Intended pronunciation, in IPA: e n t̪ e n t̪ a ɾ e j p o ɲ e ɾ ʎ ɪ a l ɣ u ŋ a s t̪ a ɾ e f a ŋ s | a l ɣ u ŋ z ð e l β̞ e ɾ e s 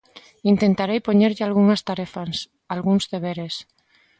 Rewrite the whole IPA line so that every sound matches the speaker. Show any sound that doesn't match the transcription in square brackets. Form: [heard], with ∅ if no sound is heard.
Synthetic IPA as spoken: [i] n t̪ e n t̪ a ɾ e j p o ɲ e ɾ ʎ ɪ a l ɣ u ŋ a s t̪ a ɾ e f a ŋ s | a l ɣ u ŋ z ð e [∅] β̞ e ɾ e s